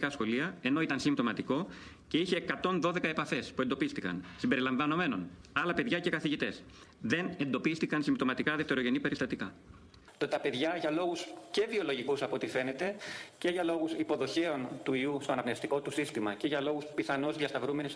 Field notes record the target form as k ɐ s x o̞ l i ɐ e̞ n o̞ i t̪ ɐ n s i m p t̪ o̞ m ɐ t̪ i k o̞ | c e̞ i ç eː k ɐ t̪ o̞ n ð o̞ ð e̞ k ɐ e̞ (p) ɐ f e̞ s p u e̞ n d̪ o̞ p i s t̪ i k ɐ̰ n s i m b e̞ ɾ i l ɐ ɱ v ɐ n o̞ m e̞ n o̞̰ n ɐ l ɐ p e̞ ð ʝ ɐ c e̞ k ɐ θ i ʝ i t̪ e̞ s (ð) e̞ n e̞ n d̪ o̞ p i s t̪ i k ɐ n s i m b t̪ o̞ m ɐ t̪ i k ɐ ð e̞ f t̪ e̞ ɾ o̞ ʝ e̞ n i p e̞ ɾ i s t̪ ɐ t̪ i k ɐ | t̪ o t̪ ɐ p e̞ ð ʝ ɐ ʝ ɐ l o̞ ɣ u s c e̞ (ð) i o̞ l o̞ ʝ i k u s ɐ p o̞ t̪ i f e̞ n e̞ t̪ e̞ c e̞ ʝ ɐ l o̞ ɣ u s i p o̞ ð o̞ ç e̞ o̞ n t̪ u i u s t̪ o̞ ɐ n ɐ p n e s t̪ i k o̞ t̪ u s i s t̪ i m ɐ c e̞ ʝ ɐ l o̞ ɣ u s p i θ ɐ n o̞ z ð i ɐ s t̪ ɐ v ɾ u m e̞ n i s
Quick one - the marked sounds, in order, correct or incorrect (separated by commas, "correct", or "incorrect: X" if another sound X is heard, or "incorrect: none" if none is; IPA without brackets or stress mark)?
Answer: correct, correct, incorrect: v